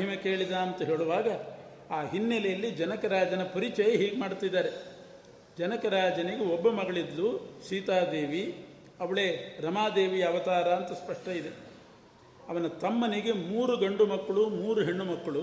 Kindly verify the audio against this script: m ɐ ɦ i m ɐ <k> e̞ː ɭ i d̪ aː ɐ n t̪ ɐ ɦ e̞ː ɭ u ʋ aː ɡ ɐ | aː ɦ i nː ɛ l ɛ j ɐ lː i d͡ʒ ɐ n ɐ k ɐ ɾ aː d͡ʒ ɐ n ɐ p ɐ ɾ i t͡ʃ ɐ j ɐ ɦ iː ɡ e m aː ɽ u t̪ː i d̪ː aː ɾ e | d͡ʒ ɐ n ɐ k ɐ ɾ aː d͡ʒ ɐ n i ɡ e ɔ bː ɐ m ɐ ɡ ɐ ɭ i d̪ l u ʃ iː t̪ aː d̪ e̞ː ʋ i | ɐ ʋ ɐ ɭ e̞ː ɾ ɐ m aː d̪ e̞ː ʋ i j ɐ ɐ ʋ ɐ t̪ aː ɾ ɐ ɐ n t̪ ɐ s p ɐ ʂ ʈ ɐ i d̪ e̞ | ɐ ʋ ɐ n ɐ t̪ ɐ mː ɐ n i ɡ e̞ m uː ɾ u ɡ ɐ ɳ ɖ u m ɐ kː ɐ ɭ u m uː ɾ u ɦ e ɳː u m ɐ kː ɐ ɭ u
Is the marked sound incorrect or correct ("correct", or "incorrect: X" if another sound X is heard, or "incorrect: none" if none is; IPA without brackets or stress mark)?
correct